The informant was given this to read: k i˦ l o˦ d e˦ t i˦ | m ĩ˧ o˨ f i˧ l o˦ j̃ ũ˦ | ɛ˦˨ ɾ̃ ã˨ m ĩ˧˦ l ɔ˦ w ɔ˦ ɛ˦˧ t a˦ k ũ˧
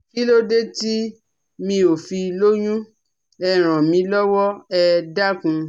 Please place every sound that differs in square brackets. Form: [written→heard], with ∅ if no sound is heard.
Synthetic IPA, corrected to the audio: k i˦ l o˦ d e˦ t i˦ | m ĩ˧ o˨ f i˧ l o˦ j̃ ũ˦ | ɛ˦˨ ɾ̃ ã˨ m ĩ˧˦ l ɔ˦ w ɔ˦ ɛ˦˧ [t→d] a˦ k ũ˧